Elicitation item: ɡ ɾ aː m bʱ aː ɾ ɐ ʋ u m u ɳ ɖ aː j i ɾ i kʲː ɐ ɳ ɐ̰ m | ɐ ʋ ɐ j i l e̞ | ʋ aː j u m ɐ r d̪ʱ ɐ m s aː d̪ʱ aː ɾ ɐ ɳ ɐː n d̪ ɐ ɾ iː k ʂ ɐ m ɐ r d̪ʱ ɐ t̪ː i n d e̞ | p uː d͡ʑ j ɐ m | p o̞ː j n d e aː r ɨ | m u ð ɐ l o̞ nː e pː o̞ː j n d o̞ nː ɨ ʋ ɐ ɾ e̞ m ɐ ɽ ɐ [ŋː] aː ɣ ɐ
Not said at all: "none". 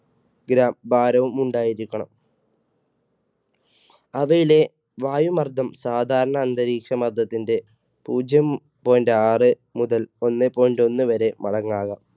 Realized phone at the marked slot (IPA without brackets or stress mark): ŋː